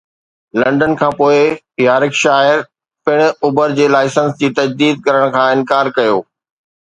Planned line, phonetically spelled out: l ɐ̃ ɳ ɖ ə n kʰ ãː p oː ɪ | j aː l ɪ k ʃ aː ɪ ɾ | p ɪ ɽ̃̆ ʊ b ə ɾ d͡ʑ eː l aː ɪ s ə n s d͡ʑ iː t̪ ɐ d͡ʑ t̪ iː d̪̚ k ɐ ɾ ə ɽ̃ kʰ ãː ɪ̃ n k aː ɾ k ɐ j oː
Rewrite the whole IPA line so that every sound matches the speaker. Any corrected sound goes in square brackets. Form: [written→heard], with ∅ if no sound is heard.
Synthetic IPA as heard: l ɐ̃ ɳ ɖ ə n kʰ ãː p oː ɪ | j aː [l→ɾ] ɪ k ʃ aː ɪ ɾ | p ɪ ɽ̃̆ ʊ b ə ɾ d͡ʑ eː l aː ɪ s ə n s d͡ʑ iː t̪ ɐ d͡ʑ [t̪→d̪] iː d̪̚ k ɐ ɾ ə ɽ̃ kʰ ãː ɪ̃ n k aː ɾ k ɐ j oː